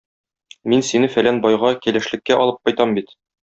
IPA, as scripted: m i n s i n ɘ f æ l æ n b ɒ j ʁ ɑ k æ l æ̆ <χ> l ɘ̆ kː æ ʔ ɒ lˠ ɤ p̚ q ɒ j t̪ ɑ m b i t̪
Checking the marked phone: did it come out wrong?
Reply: yes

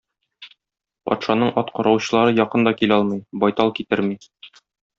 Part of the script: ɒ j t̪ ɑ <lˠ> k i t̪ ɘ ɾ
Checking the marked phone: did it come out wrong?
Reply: no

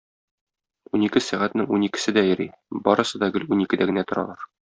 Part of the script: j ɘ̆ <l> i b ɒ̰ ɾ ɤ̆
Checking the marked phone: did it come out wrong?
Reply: yes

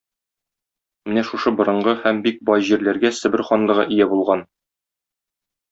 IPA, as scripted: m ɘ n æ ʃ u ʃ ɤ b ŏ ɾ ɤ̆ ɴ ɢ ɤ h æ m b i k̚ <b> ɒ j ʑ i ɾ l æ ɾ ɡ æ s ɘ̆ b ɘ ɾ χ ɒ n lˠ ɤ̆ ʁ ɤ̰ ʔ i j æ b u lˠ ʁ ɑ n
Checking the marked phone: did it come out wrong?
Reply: no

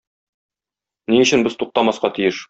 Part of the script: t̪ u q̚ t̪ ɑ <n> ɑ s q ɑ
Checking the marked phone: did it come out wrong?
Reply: yes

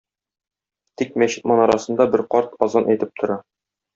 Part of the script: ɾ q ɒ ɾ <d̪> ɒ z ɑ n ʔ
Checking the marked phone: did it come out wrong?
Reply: yes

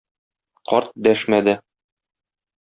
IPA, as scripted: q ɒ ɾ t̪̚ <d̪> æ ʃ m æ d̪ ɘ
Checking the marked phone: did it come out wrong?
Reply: no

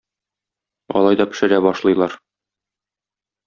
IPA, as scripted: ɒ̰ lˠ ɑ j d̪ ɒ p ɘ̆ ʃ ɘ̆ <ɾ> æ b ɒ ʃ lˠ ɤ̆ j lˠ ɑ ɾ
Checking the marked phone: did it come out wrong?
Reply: no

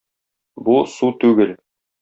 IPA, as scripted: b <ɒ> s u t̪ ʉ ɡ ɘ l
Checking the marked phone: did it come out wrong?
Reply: yes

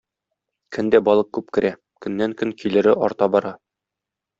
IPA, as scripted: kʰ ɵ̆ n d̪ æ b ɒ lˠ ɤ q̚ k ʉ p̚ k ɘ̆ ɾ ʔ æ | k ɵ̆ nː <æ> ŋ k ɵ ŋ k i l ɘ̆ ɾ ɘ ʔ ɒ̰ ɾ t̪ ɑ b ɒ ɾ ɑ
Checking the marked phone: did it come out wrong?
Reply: no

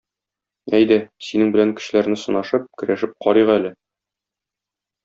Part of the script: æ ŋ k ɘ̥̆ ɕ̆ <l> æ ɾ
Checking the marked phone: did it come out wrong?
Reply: no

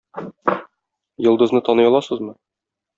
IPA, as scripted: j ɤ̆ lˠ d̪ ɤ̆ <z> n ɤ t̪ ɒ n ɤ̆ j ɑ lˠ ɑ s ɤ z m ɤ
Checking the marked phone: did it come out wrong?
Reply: no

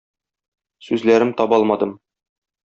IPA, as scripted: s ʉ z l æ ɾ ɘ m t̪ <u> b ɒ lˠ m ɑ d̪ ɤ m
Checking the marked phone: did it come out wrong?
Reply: yes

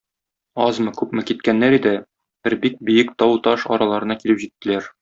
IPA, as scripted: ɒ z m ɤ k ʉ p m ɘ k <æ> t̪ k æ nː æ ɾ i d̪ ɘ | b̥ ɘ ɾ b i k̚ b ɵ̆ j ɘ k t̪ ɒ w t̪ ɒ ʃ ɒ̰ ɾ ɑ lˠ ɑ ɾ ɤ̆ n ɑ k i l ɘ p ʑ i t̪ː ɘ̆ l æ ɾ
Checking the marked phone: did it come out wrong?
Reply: yes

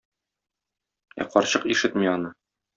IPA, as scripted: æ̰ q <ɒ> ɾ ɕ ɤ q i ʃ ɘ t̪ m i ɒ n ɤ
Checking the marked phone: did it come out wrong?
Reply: no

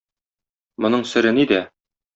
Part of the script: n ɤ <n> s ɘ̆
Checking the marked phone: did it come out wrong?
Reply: yes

